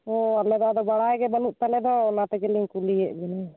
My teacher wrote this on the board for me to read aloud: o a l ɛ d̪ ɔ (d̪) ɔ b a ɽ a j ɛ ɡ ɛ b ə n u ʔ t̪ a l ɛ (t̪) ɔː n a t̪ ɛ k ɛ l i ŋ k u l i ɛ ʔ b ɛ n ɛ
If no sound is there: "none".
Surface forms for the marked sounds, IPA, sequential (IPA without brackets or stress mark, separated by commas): d̪, d̪